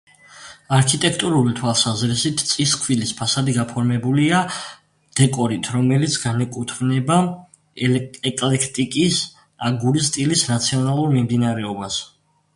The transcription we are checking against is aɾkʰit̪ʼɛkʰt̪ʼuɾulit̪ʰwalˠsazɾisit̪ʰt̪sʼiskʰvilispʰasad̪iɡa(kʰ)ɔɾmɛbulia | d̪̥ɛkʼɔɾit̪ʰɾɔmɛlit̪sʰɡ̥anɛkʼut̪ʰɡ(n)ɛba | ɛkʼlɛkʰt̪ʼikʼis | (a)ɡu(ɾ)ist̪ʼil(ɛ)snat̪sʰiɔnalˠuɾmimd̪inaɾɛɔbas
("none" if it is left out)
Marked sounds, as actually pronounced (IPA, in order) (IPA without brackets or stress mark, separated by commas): pʰ, n, a, ɾ, i